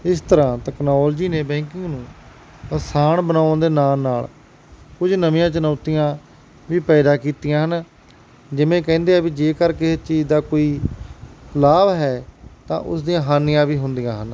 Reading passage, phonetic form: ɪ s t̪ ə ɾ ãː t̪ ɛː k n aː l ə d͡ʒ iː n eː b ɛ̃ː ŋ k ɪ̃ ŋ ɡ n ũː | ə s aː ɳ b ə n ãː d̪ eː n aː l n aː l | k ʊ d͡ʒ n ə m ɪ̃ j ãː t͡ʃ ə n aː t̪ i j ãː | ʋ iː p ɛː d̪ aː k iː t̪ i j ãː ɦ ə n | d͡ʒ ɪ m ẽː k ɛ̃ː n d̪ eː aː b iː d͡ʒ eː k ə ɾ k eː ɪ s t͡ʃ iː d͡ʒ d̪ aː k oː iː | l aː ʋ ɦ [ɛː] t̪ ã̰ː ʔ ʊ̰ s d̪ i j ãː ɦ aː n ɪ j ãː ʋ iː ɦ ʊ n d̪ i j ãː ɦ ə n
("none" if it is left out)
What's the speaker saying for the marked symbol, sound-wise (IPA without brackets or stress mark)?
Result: ɛː